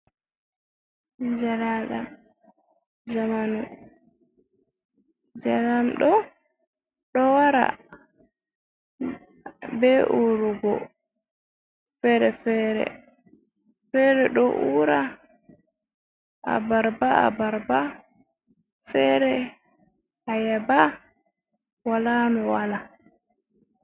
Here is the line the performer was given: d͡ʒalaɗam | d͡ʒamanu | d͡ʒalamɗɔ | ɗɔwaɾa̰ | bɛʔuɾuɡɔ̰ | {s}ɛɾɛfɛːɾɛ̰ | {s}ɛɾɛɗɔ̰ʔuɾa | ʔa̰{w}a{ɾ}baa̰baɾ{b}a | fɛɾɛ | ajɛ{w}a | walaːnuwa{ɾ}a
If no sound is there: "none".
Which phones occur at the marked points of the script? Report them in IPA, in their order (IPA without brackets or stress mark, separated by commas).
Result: f, f, b, ɾ, b, b, l